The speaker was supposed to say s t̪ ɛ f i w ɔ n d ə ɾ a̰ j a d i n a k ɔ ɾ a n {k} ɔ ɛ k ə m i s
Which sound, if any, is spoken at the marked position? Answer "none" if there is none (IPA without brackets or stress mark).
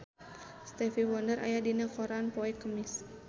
p